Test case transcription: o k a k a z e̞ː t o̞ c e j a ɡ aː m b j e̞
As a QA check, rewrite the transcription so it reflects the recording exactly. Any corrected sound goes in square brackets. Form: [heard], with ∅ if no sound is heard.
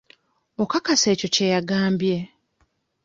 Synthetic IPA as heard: o k a k a [s] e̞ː [c] o̞ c e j a ɡ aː m b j e̞